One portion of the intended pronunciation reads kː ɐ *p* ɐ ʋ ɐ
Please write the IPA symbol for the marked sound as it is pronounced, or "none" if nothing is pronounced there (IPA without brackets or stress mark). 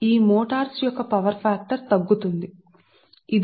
p